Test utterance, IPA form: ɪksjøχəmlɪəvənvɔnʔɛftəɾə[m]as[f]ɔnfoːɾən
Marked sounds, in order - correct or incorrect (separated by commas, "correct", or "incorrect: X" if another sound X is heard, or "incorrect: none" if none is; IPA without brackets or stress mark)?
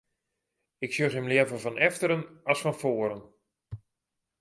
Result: incorrect: n, correct